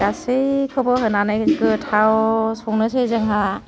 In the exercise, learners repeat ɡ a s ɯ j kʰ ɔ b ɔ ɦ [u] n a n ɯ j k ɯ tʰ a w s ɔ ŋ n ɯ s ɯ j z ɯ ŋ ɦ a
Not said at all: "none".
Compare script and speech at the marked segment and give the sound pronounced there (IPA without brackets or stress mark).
ɯ